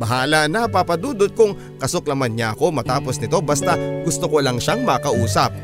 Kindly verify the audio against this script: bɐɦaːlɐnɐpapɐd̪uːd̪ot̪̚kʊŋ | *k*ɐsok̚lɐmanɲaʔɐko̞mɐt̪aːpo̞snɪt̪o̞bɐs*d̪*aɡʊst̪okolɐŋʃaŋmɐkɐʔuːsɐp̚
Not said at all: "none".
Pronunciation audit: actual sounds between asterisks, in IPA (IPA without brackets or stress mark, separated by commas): k, t̪